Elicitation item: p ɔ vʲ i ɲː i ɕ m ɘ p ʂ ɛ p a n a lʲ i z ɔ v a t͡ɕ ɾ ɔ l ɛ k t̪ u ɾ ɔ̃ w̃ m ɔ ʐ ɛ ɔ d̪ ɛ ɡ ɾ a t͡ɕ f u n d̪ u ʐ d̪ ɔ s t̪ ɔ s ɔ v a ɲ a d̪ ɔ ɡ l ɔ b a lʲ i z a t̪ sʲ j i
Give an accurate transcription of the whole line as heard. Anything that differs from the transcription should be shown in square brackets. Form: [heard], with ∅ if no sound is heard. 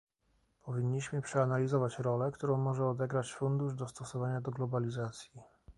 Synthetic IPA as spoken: p ɔ vʲ i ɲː i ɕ m ɘ p ʂ ɛ [∅] a n a lʲ i z ɔ v a t͡ɕ ɾ ɔ l ɛ k t̪ u ɾ ɔ̃ w̃ m ɔ ʐ ɛ ɔ d̪ ɛ ɡ ɾ a t͡ɕ f u n d̪ u ʐ d̪ ɔ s t̪ ɔ s ɔ v a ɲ a d̪ ɔ ɡ l ɔ b a lʲ i z a t̪ sʲ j i